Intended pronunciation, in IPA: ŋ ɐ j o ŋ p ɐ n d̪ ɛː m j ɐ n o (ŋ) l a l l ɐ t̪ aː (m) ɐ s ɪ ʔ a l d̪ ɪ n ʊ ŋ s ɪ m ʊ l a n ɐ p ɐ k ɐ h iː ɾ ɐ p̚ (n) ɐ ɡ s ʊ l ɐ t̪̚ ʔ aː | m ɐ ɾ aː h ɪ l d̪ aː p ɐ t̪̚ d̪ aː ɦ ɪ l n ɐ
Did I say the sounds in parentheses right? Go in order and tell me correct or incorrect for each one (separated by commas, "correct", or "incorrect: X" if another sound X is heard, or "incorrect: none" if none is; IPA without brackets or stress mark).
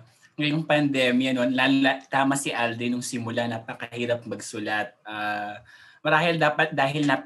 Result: incorrect: n, correct, incorrect: m